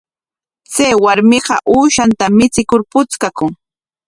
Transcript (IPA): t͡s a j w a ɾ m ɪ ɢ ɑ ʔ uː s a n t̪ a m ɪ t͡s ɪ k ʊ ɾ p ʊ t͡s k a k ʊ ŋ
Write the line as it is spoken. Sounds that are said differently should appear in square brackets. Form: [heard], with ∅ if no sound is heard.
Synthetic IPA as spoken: t͡s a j w a ɾ m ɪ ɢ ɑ ʔ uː [ʃ] a n t̪ a m ɪ t͡s ɪ k ʊ ɾ p ʊ t͡s k a k ʊ ŋ